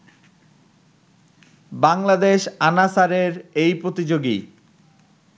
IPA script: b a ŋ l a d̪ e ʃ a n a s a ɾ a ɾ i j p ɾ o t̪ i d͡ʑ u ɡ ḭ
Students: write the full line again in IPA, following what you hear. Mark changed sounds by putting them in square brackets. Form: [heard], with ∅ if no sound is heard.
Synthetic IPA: b a ŋ l a d̪ e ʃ a n a s a ɾ [e] ɾ [e] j p ɾ o t̪ i d͡ʑ [o] ɡ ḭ